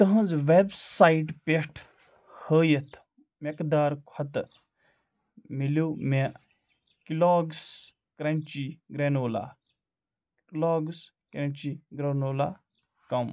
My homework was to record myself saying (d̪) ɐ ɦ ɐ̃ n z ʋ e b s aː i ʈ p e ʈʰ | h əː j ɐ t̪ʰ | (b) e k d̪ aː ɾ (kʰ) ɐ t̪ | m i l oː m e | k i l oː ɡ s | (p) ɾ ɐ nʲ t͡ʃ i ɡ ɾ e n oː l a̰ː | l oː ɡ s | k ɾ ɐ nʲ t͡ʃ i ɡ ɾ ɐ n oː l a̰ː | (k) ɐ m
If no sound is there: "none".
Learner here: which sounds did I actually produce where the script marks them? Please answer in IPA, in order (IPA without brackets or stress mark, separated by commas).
t̪, m, kʰ, k, k